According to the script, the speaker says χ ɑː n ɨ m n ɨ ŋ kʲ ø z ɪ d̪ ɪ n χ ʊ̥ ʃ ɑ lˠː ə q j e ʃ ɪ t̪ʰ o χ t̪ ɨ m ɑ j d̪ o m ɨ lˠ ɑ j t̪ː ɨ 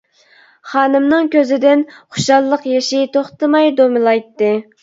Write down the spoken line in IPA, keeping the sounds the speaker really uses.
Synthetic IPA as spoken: χ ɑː n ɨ m n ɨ ŋ kʲ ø z ɪ d̪ ɪ n χ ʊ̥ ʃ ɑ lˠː ə q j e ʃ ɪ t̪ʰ o χ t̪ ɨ m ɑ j d̪ o m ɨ lˠ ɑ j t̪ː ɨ